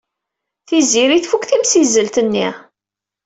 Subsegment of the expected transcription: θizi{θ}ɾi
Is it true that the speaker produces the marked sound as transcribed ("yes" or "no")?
no